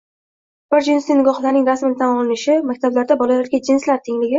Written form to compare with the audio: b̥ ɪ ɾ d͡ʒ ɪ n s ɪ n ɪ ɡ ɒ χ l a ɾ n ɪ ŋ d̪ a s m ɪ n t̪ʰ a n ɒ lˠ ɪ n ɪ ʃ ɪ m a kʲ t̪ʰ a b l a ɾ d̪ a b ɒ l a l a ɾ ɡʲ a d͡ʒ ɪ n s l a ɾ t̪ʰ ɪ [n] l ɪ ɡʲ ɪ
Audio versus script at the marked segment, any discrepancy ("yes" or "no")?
yes